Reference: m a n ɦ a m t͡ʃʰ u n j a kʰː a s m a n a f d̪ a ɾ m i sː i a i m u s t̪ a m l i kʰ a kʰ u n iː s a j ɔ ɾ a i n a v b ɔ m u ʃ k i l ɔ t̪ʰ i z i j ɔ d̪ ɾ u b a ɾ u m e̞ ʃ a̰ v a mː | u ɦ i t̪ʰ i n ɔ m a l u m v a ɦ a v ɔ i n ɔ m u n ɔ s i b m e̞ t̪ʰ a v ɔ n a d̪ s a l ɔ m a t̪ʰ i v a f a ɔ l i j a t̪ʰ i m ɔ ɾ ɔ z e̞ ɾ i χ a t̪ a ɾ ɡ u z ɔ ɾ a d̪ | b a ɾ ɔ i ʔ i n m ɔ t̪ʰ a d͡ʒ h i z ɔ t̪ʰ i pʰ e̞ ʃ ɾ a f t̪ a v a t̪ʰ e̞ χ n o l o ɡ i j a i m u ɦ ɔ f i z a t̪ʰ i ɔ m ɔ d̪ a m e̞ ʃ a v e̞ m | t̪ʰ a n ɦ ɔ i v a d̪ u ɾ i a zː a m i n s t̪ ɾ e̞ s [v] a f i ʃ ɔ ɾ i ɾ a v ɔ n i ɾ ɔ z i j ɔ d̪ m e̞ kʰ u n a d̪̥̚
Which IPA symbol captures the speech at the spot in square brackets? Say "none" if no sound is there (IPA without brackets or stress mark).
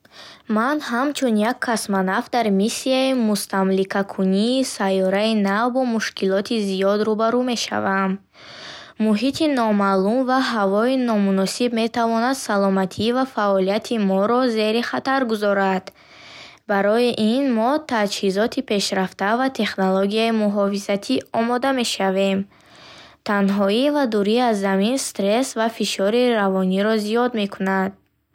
v